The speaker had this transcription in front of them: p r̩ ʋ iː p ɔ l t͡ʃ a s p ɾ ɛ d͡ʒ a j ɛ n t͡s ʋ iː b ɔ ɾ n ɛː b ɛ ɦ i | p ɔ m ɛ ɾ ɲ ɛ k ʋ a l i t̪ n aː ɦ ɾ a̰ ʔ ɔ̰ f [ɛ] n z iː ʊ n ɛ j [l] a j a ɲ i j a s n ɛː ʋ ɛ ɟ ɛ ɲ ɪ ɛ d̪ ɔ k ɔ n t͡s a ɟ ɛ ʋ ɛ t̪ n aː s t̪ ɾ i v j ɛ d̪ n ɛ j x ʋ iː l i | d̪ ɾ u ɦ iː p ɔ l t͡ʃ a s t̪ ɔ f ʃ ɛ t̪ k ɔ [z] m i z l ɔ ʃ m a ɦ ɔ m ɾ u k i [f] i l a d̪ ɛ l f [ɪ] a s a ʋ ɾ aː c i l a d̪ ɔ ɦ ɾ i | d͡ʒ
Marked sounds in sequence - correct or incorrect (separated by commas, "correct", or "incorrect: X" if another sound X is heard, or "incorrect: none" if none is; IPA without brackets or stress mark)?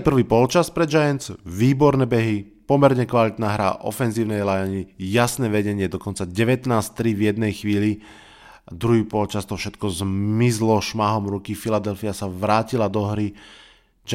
correct, correct, correct, correct, incorrect: i